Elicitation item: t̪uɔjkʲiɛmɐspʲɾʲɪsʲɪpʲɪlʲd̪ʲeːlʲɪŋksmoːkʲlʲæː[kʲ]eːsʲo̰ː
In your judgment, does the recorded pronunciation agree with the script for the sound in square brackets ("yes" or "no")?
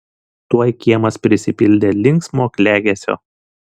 no